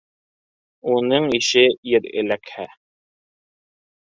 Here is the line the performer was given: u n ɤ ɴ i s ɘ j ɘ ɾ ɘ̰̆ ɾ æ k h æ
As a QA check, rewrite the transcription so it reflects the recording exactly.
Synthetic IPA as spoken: u n ɤ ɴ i ʃ ɘ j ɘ ɾ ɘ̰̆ l æ k h æ